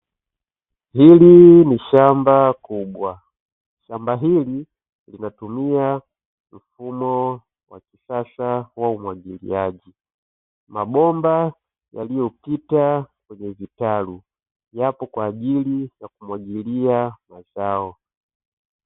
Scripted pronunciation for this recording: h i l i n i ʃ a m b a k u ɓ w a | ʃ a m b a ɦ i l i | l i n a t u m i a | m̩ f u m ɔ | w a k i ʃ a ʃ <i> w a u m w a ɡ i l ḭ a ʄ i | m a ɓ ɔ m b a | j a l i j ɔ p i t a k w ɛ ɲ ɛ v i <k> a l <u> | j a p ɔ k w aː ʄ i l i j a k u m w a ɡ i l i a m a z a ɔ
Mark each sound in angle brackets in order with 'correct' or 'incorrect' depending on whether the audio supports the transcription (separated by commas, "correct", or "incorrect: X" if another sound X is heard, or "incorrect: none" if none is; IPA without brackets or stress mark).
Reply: incorrect: a, incorrect: t, correct